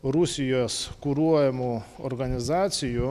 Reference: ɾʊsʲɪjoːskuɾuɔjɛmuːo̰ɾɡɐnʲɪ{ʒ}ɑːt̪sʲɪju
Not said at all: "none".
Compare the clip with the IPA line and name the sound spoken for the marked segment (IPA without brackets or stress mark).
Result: z